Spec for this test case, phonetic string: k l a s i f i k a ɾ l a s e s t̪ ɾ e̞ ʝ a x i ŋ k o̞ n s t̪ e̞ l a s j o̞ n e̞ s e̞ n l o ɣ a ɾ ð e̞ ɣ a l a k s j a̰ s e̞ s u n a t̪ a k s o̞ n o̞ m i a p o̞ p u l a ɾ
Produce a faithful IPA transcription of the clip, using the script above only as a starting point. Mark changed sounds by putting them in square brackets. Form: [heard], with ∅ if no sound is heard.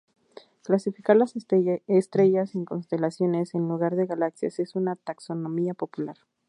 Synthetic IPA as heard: k l a s i f i k a ɾ l a s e s t̪ ɾ e̞ ʝ a [s] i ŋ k o̞ n s t̪ e̞ l a s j o̞ n e̞ s e̞ n l [u] ɣ a ɾ ð e̞ ɣ a l a k s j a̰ s e̞ s u n a t̪ a k s o̞ n o̞ m i a p o̞ p u l a ɾ